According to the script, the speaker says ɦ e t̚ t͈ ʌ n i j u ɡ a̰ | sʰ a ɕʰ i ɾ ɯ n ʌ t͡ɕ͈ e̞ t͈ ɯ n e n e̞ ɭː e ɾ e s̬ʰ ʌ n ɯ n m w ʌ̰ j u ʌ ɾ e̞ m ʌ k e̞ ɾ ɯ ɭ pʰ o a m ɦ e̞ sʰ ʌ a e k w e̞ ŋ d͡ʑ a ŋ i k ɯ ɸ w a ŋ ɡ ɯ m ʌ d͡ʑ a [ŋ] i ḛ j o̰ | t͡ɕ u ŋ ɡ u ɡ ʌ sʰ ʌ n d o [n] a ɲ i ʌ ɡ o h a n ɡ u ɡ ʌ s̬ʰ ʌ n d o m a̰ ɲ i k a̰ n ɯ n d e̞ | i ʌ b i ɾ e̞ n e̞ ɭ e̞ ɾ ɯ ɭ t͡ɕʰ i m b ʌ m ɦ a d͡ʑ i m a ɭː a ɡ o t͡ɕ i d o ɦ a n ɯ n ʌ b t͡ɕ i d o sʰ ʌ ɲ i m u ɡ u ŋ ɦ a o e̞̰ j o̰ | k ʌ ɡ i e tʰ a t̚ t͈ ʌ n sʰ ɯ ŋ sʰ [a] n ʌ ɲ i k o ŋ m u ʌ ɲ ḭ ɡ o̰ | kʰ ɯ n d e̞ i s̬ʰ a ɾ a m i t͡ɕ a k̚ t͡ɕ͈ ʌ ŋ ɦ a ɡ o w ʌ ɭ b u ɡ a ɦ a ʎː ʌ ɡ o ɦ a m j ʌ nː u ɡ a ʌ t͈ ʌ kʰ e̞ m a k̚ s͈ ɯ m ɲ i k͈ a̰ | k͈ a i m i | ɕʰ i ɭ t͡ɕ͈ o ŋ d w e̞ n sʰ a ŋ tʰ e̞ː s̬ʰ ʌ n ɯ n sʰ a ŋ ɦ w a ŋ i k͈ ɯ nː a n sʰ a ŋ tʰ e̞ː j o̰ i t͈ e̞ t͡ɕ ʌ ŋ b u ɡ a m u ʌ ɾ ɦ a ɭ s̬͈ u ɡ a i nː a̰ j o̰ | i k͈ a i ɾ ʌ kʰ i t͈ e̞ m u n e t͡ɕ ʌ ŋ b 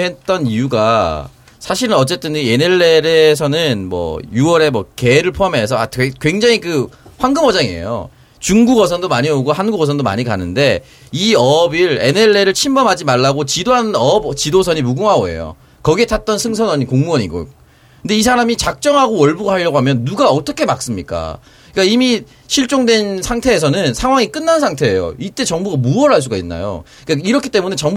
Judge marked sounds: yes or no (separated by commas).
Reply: yes, no, no